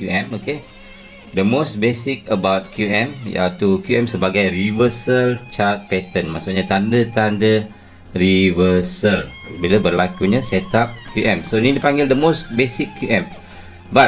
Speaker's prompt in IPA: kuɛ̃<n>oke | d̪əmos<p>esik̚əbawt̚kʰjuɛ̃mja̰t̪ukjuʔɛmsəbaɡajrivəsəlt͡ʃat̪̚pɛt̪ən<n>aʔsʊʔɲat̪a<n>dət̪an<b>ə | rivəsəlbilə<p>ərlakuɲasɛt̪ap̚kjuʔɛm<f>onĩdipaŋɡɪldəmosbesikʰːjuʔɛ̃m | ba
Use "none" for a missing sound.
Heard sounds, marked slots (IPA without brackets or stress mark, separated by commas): m, b, m, n, d, b, s